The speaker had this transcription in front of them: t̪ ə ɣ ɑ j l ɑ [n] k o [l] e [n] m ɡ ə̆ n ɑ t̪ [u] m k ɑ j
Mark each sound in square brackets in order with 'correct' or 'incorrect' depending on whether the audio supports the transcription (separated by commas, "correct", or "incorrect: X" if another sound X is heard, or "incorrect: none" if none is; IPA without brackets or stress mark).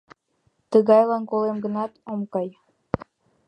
correct, correct, incorrect: none, incorrect: o